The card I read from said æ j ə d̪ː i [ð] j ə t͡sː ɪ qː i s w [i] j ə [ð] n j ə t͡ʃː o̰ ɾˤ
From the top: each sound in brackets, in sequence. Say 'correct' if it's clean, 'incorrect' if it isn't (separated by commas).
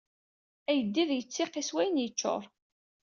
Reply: correct, incorrect, incorrect